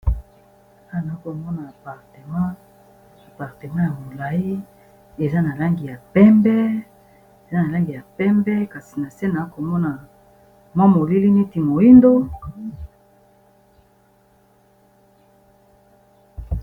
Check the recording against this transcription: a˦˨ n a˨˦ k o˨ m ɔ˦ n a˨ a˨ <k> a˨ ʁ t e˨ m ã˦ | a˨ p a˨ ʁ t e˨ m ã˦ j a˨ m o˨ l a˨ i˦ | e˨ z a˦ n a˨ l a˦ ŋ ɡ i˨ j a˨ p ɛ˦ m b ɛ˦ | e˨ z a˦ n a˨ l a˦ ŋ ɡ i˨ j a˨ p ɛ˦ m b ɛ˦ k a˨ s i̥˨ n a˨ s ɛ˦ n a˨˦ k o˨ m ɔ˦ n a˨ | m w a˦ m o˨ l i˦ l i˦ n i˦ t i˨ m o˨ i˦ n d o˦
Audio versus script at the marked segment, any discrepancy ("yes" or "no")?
yes